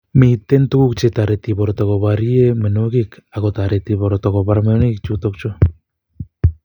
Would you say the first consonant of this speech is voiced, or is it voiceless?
voiced